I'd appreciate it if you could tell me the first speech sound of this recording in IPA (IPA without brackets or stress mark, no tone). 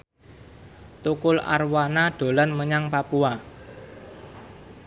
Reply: t̪